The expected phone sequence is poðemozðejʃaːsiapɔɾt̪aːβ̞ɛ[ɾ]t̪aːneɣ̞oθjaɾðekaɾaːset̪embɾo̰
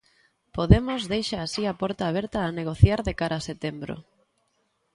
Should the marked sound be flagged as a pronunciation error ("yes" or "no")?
no